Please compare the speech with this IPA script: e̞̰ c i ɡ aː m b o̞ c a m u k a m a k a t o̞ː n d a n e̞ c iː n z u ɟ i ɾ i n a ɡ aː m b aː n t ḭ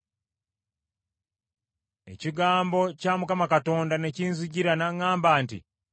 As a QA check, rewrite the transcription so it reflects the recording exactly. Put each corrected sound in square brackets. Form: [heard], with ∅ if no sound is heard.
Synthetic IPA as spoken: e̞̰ c i ɡ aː m b o̞ c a m u k a m a k a t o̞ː n d a n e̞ c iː n z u ɟ i ɾ [a] n a [ŋ] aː m b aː n t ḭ